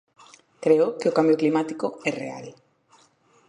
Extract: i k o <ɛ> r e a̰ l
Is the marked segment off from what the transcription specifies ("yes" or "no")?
no